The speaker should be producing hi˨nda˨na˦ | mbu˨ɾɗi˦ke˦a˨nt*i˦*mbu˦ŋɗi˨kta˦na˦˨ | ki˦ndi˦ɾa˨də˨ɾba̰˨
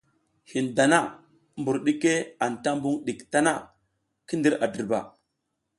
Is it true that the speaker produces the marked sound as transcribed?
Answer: no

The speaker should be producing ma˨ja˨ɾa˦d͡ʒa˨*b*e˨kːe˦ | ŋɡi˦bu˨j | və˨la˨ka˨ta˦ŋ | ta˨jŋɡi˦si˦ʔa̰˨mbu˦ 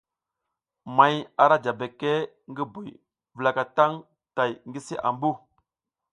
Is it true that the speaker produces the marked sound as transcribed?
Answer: yes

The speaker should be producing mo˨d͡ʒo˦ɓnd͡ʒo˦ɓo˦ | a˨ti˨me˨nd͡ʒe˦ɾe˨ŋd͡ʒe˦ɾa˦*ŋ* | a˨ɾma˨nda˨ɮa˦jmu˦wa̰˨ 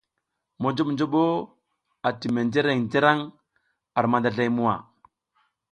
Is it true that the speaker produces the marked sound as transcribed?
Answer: yes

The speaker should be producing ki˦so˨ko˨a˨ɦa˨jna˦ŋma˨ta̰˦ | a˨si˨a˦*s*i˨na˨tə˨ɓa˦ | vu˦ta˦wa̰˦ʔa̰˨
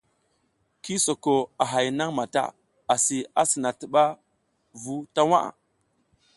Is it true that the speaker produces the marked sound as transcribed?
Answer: yes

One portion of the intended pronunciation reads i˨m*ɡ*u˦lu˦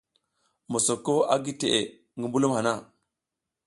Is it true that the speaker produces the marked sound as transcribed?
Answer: no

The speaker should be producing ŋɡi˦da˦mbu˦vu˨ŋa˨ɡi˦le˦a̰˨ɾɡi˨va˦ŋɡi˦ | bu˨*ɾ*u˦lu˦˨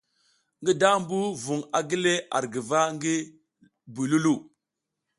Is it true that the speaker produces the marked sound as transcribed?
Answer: no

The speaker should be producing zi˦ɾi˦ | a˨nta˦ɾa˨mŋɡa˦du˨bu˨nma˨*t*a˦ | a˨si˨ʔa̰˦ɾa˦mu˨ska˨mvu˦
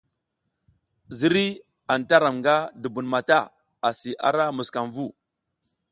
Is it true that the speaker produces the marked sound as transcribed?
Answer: yes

